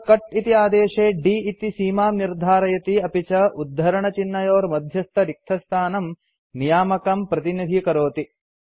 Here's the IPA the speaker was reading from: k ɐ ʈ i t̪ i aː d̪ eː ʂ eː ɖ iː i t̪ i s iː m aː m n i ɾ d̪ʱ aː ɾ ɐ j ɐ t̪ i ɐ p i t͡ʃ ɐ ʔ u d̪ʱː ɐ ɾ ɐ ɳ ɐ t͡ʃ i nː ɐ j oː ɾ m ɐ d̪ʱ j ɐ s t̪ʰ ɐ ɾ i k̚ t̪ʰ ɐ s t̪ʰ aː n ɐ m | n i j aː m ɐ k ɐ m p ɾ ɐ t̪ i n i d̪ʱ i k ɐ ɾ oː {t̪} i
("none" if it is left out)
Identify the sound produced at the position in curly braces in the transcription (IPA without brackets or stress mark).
t̪